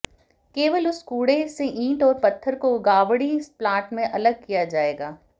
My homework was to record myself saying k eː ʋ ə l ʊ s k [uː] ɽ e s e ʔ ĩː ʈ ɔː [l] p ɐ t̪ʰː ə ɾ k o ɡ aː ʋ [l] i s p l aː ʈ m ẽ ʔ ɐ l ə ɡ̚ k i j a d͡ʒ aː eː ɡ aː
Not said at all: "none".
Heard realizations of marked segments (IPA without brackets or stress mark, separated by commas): uː, ɾ, ɽ